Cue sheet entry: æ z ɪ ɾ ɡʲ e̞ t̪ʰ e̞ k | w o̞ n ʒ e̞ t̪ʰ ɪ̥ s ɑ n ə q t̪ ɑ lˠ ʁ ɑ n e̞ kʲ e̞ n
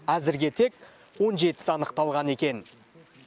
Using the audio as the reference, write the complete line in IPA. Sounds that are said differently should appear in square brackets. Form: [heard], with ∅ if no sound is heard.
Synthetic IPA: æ z ɪ ɾ ɡʲ e̞ t̪ʰ e̞ k | w o̞ n ʒ e̞ [t̪] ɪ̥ s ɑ n ə q t̪ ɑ lˠ ʁ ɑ n e̞ kʲ e̞ n